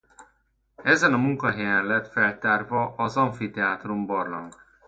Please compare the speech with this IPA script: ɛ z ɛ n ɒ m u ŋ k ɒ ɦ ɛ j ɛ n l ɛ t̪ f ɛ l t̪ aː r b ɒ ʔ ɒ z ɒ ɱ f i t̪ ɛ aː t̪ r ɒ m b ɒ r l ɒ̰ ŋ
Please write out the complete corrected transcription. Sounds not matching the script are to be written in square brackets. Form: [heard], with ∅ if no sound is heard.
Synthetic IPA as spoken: ɛ z ɛ n ɒ m u ŋ k ɒ ɦ ɛ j ɛ n l ɛ t̪ f ɛ l t̪ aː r [v] ɒ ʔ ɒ z ɒ ɱ f i t̪ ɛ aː t̪ r [u] m b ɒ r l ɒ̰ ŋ